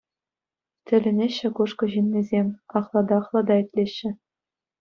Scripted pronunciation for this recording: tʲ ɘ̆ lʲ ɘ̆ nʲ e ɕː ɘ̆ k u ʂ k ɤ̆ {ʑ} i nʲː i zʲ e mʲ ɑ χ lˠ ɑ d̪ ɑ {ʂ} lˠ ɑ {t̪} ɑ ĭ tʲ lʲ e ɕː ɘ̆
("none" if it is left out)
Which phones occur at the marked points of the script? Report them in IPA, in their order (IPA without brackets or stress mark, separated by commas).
ʑ, χ, d̪